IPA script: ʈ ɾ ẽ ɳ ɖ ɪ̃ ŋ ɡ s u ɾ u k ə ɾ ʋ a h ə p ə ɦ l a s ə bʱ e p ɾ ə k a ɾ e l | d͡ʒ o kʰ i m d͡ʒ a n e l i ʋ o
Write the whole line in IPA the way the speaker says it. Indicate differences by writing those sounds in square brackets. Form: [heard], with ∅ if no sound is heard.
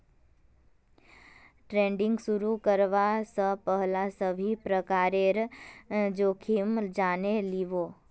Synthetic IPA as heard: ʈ ɾ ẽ ɳ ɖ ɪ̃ ŋ ɡ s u ɾ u k ə ɾ ʋ a [s] ə p ə ɦ l a s ə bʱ [i] p ɾ ə k a ɾ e [ɾ] | d͡ʒ o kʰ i m d͡ʒ a n e l i ʋ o